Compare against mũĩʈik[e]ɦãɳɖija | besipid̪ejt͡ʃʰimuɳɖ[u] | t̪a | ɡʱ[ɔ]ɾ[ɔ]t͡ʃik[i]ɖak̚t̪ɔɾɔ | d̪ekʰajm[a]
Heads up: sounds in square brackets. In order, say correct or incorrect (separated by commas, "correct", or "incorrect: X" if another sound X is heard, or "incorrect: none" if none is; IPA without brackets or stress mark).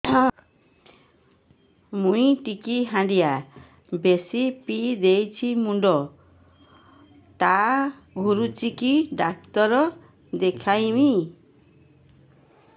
incorrect: i, incorrect: ɔ, incorrect: u, incorrect: u, correct, incorrect: i